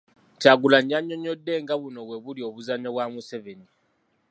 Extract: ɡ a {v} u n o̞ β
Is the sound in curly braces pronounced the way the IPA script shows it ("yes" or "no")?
no